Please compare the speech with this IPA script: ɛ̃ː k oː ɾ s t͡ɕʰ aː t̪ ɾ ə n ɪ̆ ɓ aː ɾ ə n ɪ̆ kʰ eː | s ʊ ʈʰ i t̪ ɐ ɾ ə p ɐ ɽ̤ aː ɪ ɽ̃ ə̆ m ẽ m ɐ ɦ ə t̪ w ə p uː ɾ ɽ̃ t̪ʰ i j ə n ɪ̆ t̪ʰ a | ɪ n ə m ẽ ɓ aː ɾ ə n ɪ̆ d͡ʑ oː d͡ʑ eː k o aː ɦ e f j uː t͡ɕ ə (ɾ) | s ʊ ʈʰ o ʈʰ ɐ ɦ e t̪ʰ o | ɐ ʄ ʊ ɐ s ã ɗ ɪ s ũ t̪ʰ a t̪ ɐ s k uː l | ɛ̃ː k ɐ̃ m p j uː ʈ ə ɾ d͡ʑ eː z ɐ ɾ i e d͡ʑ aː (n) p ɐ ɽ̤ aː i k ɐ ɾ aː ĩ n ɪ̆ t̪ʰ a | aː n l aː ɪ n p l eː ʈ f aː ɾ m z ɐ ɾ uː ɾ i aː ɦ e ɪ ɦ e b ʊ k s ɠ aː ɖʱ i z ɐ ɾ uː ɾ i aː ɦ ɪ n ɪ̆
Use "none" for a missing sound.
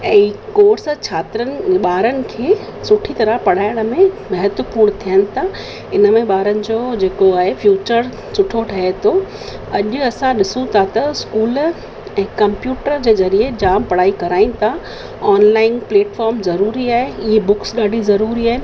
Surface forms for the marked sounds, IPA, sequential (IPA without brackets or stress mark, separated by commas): ɾ, m